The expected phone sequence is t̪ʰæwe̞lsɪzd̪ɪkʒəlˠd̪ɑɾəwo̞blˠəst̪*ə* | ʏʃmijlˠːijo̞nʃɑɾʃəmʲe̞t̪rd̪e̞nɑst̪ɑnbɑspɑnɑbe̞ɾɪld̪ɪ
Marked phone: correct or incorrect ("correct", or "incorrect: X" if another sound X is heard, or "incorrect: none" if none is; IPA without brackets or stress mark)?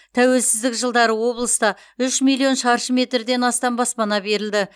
incorrect: ɑ